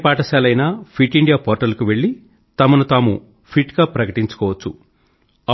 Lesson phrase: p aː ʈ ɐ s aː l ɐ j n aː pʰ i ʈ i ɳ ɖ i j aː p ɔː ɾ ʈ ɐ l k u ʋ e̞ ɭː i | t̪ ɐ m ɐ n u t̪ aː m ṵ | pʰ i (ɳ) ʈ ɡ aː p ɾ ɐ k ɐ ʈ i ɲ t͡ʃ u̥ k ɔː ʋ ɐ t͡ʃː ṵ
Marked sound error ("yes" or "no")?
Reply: yes